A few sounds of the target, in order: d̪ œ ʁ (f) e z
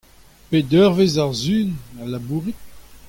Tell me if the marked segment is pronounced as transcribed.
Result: no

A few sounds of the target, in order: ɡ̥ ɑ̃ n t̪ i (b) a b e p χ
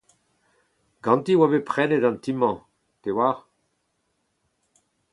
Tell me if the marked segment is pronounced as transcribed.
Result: no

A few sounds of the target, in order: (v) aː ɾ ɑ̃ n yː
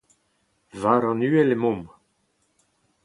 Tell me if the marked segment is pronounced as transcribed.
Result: yes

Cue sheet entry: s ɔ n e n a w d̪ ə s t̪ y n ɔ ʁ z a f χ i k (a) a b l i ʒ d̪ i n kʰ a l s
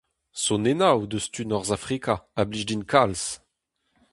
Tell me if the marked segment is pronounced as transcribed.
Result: yes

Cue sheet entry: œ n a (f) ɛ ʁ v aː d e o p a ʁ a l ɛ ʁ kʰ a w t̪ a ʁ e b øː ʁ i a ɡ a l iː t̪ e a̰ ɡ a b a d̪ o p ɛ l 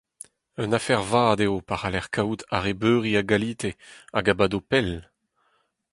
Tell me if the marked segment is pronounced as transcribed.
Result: yes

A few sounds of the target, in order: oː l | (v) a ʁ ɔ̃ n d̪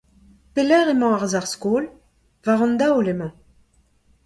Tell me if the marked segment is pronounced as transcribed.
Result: yes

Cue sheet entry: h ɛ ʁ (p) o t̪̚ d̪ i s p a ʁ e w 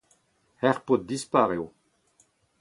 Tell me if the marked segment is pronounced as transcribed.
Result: yes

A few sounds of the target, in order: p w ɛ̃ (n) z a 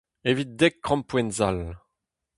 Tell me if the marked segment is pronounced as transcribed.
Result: yes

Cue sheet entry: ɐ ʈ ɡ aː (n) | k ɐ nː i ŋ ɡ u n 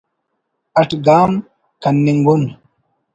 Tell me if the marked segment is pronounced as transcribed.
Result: no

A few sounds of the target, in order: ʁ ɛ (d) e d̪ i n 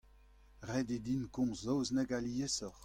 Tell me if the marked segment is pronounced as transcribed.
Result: yes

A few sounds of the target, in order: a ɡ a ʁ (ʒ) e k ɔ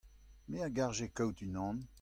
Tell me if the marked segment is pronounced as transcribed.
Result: yes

